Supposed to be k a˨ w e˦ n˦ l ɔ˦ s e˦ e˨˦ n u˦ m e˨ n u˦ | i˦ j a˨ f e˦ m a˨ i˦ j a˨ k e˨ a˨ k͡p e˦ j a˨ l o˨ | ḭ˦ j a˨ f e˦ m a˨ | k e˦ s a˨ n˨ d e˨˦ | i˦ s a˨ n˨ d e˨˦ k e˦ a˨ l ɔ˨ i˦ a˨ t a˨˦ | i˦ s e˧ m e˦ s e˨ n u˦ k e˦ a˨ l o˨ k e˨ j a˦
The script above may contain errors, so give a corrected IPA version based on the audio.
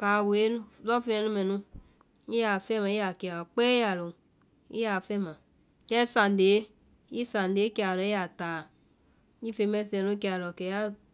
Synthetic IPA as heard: k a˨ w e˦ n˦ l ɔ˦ f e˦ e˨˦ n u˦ m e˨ n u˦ | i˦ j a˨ f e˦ m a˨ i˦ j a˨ k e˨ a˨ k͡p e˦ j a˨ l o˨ | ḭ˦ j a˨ f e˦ m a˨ | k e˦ s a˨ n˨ d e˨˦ | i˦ s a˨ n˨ d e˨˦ k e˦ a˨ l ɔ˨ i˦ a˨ t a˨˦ | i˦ f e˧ m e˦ s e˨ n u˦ k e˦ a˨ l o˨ k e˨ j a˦